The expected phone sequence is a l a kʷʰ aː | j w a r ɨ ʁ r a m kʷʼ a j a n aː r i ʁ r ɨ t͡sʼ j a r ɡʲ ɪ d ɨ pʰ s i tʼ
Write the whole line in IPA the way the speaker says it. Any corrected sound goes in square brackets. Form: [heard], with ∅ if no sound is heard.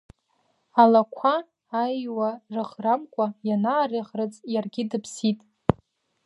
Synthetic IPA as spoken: a l a kʷʰ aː | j w a r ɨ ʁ r a m kʷʼ a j a n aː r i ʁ r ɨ t͡sʼ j a r ɡʲ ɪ d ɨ pʰ s i tʼ